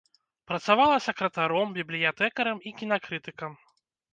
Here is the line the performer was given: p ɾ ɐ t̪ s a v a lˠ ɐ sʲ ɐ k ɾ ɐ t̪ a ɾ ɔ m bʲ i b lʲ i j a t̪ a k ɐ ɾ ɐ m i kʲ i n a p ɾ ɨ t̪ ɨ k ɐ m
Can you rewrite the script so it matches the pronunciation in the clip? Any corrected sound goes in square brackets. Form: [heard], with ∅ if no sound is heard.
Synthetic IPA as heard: p ɾ ɐ t̪ s a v a lˠ ɐ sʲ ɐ k ɾ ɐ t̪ a ɾ ɔ m bʲ i b lʲ i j a t̪ [ɛ] k ɐ ɾ ɐ m i kʲ i n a [k] ɾ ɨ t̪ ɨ k ɐ m